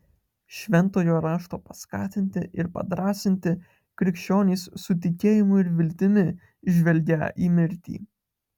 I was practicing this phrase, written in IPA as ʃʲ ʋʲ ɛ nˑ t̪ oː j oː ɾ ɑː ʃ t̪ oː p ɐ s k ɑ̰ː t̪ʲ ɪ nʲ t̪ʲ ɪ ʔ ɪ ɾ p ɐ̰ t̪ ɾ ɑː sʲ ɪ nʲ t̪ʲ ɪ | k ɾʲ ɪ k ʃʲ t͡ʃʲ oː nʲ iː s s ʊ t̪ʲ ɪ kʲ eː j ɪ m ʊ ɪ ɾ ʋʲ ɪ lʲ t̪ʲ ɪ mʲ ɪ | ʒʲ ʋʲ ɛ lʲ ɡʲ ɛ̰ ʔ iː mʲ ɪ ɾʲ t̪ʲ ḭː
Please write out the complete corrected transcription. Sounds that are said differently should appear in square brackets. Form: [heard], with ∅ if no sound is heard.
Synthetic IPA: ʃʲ ʋʲ ɛ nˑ t̪ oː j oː ɾ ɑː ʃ t̪ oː p ɐ s k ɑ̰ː t̪ʲ ɪ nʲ t̪ʲ ɪ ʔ ɪ ɾ p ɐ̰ [d̪] ɾ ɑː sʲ ɪ nʲ t̪ʲ ɪ | k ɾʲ ɪ k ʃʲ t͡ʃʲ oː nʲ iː s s ʊ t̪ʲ ɪ kʲ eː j ɪ m ʊ ɪ ɾ ʋʲ ɪ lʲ t̪ʲ ɪ mʲ ɪ | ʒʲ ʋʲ ɛ lʲ ɡʲ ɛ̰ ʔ iː mʲ ɪ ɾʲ t̪ʲ ḭː